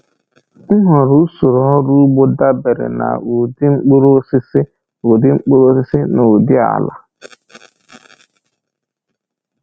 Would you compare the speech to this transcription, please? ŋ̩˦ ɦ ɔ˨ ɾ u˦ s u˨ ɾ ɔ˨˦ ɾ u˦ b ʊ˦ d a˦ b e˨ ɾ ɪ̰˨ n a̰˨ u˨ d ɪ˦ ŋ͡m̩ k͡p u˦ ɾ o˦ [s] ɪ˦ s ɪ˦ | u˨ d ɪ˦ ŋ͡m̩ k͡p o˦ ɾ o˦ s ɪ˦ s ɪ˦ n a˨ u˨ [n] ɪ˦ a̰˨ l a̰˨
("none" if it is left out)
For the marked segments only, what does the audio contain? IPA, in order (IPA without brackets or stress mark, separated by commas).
s, d